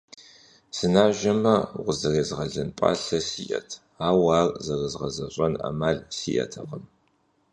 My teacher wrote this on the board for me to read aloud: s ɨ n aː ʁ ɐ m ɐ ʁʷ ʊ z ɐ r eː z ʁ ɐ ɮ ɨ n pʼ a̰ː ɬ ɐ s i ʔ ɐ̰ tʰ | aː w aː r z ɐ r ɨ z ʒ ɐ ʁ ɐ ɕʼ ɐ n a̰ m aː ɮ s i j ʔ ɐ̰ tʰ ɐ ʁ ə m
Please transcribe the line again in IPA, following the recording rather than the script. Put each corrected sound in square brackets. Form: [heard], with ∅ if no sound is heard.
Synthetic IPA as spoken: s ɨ n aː [ʒ] ɐ m ɐ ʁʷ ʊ z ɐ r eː z ʁ ɐ ɮ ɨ n pʼ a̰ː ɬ ɐ s i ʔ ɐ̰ tʰ | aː w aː r z ɐ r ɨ z [ʁ] ɐ [z] ɐ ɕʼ ɐ n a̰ m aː ɮ s i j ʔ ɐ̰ tʰ ɐ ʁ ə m